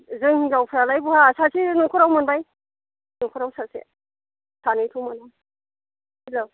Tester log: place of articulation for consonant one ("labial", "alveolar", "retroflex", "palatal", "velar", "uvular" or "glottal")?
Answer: alveolar